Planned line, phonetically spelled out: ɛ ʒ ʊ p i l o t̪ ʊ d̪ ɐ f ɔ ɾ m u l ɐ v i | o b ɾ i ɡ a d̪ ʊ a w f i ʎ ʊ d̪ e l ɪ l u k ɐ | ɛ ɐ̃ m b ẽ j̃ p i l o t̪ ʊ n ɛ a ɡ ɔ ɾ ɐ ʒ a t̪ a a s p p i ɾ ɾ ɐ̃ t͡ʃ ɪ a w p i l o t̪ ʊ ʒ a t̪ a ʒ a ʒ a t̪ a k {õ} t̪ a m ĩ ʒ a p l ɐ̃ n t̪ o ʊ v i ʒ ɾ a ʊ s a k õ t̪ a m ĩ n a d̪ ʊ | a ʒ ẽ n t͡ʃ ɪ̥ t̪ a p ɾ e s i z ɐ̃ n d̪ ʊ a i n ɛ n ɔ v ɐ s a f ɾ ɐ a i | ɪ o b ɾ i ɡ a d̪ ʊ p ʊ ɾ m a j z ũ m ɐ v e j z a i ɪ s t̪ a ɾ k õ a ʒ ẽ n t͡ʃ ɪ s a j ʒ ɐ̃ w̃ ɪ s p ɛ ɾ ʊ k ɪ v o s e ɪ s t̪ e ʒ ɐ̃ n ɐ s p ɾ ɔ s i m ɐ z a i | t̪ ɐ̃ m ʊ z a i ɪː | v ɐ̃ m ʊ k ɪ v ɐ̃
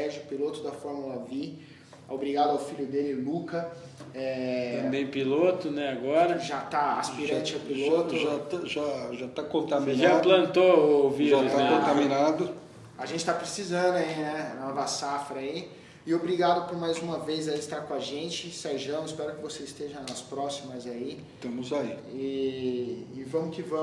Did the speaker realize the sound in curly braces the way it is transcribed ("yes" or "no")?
yes